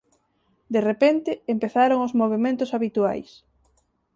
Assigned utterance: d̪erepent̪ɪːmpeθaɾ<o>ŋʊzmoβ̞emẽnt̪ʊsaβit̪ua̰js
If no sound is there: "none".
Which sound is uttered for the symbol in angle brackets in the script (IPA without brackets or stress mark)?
o